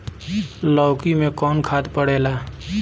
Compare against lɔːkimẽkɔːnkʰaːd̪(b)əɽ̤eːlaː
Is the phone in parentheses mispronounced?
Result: yes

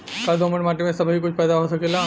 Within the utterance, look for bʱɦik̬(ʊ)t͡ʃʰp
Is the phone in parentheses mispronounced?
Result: no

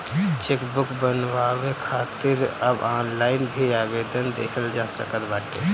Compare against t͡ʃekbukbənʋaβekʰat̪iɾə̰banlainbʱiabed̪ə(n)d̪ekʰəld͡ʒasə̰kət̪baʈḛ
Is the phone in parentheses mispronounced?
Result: no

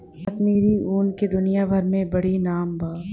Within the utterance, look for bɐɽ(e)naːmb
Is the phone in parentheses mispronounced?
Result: yes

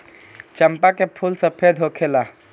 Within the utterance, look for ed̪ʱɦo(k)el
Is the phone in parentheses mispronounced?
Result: yes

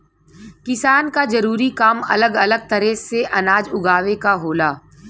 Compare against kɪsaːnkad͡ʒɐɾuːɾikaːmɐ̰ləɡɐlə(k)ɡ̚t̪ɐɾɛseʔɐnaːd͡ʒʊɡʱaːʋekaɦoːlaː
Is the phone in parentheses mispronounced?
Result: yes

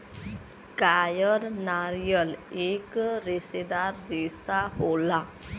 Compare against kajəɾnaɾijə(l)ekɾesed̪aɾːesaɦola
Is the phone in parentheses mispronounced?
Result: no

